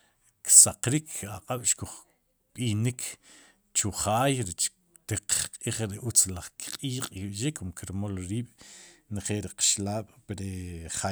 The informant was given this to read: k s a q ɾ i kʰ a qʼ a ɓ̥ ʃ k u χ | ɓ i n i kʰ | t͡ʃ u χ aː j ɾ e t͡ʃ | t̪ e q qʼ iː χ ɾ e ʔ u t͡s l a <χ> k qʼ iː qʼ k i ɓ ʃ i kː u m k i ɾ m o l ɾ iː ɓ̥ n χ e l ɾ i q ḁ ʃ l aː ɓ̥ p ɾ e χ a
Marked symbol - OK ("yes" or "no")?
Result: yes